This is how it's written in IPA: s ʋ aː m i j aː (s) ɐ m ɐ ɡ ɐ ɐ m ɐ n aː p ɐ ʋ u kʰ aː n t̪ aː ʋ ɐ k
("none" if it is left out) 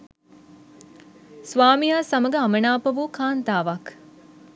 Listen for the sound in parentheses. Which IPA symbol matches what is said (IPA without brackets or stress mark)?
s